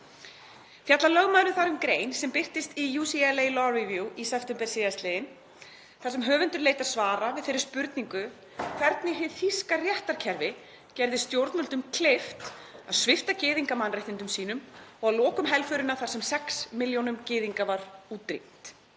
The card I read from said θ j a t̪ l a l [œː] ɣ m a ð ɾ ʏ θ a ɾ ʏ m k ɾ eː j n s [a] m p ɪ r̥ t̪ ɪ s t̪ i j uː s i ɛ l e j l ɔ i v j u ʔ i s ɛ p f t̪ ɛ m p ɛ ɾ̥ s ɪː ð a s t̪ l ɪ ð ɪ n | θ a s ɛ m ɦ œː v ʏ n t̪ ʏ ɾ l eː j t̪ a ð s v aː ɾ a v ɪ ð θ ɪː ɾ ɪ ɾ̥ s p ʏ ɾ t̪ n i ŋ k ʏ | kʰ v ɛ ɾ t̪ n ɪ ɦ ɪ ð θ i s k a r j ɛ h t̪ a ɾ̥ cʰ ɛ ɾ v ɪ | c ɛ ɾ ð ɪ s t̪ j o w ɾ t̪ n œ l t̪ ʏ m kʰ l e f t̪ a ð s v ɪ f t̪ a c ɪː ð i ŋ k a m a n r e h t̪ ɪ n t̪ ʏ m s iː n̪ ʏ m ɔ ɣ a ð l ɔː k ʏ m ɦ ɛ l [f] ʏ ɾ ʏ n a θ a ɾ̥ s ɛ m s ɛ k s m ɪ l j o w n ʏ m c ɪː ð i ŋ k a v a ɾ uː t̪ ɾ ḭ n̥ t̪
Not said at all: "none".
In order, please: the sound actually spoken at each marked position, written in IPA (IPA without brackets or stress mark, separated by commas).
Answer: œ, ɛ, f